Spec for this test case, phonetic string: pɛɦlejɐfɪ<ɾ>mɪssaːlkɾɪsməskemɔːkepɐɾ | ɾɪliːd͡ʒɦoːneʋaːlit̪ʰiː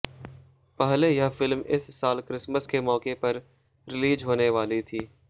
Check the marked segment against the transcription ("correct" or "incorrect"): incorrect